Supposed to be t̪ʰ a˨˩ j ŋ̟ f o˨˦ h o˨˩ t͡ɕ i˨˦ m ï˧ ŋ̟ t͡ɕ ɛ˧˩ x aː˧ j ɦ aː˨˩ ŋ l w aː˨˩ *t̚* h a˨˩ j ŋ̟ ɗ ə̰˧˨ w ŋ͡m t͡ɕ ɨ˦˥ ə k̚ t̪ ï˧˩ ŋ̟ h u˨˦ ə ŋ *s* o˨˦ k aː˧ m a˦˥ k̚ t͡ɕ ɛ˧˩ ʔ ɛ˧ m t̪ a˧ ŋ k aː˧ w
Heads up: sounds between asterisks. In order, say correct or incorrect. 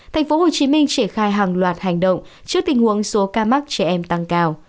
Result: correct, correct

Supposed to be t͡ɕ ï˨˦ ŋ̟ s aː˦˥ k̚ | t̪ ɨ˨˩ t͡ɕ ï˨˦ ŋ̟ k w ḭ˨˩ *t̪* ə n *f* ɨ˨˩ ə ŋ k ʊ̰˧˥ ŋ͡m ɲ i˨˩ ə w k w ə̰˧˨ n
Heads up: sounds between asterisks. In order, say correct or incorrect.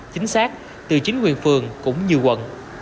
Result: incorrect, correct

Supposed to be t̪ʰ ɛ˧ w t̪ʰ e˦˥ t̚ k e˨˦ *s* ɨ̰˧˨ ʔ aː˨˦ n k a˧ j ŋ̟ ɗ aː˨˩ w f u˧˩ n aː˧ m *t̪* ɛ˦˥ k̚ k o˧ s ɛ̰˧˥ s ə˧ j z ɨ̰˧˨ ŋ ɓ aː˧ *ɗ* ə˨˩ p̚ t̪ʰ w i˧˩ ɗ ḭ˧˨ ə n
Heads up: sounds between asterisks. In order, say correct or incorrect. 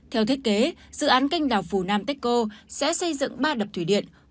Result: incorrect, correct, correct

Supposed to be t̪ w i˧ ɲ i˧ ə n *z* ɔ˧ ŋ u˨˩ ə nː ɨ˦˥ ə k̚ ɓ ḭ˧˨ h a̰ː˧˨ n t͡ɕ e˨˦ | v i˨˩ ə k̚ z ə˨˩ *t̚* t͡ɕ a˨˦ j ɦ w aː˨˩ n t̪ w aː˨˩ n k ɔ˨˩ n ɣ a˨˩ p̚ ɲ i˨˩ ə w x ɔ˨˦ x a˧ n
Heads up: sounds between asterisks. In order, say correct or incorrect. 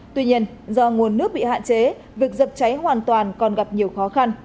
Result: correct, incorrect

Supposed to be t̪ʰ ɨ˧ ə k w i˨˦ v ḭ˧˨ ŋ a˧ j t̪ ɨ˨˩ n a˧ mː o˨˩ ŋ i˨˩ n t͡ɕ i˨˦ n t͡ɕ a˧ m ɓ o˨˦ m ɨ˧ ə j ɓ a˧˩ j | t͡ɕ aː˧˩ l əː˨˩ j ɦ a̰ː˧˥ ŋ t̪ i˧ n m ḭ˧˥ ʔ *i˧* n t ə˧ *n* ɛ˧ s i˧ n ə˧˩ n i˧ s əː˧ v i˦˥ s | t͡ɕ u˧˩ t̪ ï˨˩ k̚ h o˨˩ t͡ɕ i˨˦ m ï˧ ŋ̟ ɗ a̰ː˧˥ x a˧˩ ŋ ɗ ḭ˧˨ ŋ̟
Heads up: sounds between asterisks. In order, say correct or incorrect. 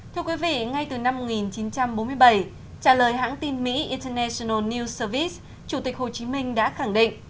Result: correct, correct

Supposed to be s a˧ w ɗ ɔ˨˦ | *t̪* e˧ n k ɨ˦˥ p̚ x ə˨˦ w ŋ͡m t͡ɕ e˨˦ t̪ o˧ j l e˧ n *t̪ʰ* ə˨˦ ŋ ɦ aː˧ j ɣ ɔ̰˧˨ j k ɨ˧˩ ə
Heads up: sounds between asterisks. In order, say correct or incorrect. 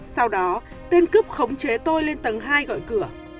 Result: correct, incorrect

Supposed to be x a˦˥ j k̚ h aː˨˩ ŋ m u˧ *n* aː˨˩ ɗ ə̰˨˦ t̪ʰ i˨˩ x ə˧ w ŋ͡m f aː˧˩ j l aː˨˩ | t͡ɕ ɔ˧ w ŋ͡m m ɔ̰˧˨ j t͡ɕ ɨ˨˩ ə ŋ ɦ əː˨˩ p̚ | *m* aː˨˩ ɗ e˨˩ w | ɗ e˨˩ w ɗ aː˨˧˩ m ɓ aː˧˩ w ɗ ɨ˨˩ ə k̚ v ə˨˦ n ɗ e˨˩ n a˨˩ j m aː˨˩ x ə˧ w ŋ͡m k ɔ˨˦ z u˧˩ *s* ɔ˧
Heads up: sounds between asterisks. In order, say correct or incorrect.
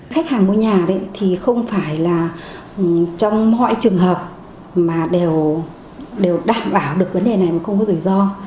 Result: incorrect, correct, incorrect

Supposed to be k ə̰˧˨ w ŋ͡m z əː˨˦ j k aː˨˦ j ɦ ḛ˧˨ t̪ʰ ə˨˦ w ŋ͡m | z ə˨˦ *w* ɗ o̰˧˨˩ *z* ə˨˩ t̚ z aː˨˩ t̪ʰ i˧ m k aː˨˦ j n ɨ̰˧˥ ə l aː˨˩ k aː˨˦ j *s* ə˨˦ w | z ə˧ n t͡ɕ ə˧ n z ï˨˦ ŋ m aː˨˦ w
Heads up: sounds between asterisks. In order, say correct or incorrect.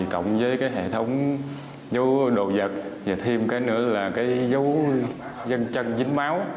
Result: correct, correct, incorrect

